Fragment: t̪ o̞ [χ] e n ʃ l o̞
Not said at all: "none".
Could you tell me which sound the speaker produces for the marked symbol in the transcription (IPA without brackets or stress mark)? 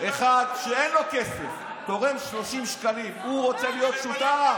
ʁ